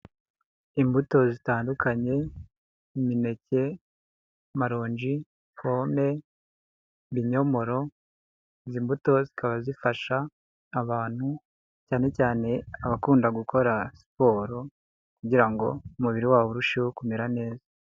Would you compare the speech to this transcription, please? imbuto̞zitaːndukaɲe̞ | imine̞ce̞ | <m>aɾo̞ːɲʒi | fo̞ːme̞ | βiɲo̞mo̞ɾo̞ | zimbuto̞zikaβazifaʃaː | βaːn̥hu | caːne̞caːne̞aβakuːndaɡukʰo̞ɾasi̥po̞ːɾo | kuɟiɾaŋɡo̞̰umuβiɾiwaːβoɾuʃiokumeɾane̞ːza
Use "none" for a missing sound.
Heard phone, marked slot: m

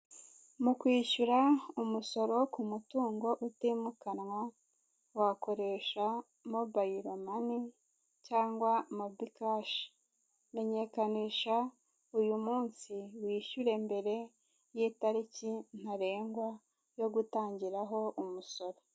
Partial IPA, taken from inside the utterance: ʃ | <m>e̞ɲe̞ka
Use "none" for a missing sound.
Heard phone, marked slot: m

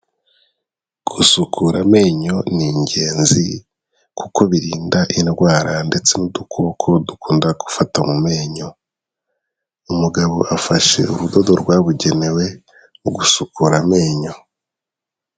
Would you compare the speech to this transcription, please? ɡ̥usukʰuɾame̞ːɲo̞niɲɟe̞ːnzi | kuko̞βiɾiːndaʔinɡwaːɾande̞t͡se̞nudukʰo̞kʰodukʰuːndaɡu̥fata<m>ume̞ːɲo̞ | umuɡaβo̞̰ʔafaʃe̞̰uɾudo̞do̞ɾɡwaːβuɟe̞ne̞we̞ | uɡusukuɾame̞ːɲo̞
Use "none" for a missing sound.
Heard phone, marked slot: m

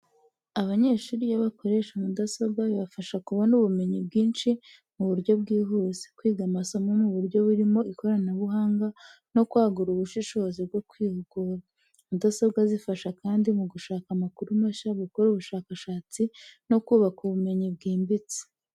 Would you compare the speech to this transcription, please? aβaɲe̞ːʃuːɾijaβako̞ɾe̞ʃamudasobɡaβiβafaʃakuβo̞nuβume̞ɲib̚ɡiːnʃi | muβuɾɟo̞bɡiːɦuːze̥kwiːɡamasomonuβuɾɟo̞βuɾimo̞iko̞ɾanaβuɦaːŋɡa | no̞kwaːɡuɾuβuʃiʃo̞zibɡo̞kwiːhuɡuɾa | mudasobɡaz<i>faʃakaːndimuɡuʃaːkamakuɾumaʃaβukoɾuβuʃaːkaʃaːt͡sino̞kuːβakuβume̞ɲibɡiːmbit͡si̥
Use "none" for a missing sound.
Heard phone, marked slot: i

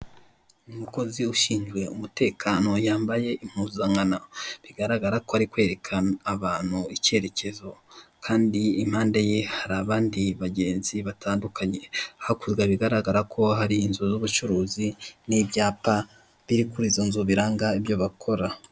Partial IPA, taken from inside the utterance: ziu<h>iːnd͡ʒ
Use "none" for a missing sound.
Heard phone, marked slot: ʃ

